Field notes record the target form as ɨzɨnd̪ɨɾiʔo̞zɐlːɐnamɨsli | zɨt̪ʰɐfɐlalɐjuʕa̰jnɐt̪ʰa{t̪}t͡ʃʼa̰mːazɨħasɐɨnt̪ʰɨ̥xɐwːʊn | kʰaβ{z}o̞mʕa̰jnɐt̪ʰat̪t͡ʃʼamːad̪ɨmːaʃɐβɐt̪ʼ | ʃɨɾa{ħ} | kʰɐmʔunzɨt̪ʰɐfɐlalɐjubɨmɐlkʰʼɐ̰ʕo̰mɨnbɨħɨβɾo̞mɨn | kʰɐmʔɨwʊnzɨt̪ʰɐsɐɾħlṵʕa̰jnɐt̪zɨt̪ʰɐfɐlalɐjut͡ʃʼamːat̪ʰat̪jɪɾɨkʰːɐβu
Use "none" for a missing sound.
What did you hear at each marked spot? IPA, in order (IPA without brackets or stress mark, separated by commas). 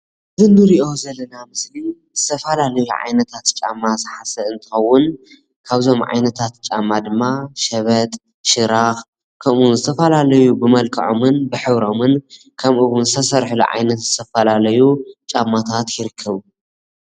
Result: t̪, z, x